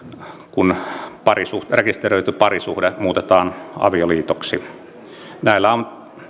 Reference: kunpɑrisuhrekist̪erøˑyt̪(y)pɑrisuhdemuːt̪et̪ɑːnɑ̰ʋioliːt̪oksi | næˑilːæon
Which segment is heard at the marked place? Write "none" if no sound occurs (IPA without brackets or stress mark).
y